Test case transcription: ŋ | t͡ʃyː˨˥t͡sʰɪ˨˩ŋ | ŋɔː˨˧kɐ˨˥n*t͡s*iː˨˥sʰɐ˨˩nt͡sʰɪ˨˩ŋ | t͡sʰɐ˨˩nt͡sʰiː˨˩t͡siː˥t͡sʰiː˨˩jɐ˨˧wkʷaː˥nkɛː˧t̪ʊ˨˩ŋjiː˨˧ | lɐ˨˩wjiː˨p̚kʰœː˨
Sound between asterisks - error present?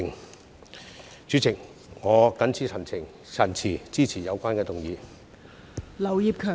yes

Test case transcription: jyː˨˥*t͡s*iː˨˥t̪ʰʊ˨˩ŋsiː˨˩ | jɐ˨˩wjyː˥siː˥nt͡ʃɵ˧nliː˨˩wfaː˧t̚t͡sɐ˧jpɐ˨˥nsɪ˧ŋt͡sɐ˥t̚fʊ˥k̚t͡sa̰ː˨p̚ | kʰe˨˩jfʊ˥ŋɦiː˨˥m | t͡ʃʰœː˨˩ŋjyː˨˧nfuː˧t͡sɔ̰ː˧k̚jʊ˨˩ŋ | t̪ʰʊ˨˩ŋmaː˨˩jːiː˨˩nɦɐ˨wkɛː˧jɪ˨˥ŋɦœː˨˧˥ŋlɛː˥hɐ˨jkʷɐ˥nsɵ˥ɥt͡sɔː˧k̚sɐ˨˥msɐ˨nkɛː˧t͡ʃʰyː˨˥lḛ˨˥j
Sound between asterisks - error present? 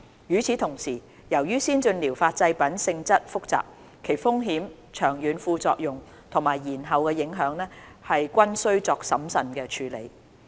yes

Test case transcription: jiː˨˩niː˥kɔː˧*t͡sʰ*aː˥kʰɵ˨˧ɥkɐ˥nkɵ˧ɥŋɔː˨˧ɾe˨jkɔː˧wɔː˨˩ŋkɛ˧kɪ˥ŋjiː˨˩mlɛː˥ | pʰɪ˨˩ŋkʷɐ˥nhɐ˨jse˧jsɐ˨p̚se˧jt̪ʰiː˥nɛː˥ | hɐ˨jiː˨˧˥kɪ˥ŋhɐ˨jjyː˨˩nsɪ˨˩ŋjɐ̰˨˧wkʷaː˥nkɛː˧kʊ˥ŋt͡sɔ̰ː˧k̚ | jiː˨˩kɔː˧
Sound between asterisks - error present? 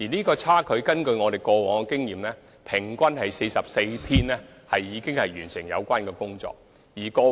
no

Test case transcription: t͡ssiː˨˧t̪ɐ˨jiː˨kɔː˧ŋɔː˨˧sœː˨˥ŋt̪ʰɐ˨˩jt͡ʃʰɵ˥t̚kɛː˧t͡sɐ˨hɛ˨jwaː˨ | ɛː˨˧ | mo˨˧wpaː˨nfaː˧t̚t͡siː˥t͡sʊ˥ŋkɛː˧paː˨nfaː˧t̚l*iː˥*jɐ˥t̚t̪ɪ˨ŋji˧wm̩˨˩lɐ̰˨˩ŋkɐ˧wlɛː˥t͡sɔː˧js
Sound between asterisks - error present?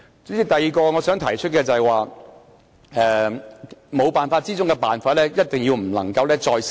yes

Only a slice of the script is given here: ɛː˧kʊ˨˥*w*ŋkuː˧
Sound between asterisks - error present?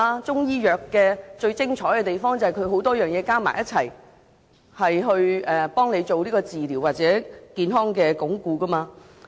yes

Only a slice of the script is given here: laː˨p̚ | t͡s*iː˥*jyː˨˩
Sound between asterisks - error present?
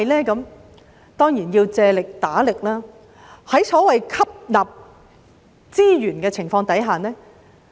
no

